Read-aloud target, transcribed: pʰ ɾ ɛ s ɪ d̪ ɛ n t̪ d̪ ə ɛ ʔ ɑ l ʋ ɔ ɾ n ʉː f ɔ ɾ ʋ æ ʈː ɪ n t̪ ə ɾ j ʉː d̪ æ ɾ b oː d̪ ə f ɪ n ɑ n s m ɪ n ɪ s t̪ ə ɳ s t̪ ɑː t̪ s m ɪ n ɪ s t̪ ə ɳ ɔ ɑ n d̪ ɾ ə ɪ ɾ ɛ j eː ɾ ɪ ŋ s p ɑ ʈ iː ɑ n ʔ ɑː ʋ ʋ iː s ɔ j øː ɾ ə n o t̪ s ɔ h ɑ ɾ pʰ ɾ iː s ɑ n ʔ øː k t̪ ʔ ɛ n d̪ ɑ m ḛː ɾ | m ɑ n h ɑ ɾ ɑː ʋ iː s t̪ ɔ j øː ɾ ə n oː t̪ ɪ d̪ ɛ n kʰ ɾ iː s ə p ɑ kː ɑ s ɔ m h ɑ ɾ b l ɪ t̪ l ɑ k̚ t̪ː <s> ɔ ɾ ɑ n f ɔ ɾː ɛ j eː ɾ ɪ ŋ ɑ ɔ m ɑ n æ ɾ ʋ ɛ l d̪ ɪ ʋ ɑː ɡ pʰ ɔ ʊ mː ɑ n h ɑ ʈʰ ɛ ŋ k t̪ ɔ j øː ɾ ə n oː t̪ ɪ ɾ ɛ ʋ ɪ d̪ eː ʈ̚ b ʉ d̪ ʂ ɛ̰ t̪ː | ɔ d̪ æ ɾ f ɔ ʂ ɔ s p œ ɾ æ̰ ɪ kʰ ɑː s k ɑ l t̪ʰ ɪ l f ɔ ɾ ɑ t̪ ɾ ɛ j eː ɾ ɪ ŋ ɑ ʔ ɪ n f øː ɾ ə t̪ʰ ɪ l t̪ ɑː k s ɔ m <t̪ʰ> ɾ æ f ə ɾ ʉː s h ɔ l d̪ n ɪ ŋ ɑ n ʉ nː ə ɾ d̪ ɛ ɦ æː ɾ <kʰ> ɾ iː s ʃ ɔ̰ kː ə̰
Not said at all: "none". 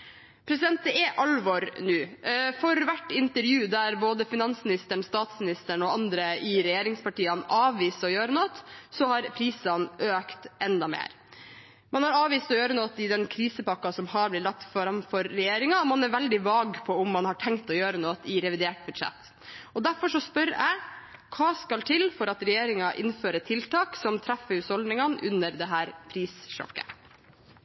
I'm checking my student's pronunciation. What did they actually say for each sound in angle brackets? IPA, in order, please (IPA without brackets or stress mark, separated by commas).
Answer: f, t̪ʰ, pʰ